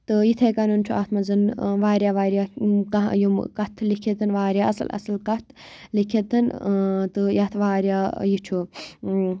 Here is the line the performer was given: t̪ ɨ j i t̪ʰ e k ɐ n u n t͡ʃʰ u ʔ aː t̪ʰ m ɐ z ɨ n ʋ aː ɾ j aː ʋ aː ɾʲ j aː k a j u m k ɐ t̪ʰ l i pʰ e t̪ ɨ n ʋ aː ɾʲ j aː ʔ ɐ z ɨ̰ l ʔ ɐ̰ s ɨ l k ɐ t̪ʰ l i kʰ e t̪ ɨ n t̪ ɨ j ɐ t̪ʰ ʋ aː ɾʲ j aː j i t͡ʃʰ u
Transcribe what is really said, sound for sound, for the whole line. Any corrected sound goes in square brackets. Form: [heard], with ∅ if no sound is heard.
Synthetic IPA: t̪ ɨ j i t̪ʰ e k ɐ n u n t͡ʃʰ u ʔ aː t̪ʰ m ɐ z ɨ n ʋ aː ɾ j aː ʋ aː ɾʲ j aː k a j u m k ɐ t̪ʰ l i [kʰ] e t̪ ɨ n ʋ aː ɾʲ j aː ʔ ɐ [s] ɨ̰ l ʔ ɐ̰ s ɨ l k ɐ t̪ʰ l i kʰ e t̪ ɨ n t̪ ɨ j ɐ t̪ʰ ʋ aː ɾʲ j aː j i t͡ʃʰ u

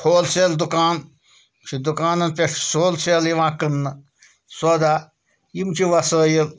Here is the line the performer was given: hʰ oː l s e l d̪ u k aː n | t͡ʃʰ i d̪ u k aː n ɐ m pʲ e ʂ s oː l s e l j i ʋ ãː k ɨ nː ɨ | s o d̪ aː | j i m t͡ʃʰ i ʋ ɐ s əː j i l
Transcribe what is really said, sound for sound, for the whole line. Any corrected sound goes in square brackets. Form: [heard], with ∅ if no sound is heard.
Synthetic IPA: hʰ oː l s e l d̪ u k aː n | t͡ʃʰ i d̪ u k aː n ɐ [n] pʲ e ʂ s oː l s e l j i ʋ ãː k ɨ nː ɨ | s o d̪ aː | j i m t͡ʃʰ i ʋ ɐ s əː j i l

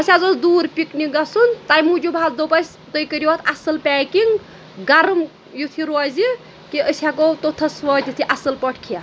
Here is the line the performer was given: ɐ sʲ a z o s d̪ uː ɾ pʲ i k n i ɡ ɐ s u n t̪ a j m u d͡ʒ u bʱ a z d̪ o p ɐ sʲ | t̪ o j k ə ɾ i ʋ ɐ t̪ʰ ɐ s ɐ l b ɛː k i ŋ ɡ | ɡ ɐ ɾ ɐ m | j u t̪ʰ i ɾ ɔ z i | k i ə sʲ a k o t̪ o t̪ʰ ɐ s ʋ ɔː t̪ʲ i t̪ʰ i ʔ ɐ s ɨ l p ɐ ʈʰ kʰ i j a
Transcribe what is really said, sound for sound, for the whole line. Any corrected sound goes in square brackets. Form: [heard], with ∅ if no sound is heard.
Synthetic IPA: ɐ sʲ a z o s d̪ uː ɾ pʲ i k n i ɡ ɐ s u n t̪ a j m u d͡ʒ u bʱ a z d̪ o p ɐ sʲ | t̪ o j k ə ɾ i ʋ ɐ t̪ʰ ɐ s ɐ l [p] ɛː k i ŋ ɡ | ɡ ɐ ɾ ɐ m | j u t̪ʰ i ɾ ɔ z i | k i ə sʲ a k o t̪ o t̪ʰ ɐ s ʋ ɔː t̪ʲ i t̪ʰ i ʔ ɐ s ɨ l p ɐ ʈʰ kʰ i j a

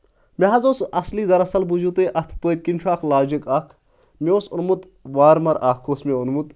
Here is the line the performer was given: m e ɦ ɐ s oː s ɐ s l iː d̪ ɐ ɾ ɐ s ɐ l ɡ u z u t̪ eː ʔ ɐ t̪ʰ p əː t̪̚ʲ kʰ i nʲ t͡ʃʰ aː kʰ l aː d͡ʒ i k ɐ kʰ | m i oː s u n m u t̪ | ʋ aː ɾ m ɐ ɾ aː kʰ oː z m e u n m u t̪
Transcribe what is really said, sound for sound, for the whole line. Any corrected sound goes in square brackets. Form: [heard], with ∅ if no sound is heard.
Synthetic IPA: m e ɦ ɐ [z] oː s ɐ s l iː d̪ ɐ ɾ ɐ s ɐ l [b] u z u t̪ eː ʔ ɐ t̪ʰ p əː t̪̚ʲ [k] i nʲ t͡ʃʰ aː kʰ l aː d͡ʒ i k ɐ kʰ | m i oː s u n m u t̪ | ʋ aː ɾ m ɐ ɾ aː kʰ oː [s] m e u n m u t̪

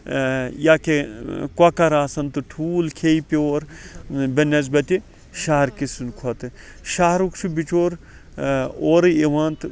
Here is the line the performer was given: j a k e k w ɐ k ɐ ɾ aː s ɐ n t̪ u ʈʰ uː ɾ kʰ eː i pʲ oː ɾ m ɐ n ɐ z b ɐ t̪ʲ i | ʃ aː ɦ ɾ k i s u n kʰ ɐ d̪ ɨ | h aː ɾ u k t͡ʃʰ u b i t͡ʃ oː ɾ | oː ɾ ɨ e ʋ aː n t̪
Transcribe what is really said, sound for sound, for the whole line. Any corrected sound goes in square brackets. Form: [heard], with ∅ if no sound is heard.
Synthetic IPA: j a k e k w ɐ k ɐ ɾ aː s ɐ n t̪ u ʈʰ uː [l] kʰ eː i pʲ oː ɾ [b] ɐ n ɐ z b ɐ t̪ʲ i | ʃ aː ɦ ɾ k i s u n kʰ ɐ [t̪] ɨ | [ʃ] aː ɾ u k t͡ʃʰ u b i t͡ʃ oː ɾ | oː ɾ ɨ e ʋ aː n t̪

